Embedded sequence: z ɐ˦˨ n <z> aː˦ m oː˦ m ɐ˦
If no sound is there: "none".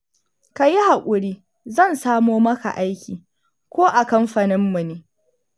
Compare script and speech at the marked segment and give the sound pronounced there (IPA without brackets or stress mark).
s